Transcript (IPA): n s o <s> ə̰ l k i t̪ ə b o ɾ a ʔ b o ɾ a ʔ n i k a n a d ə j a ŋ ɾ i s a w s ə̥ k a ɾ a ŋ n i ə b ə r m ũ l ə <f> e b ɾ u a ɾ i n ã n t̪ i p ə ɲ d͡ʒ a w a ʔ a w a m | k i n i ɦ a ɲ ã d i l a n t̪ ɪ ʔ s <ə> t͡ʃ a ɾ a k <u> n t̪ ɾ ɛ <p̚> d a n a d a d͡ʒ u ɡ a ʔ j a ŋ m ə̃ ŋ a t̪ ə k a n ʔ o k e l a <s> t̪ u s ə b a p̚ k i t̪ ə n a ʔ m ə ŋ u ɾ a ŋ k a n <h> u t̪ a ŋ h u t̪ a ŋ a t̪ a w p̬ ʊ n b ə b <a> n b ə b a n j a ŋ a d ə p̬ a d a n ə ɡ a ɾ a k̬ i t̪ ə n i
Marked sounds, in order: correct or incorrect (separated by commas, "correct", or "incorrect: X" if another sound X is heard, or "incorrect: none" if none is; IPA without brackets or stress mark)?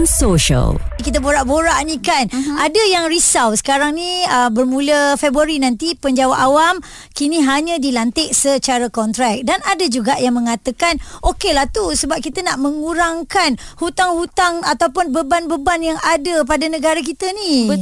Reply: incorrect: ʃ, correct, correct, incorrect: ɔ, incorrect: k̚, incorrect: h, correct, correct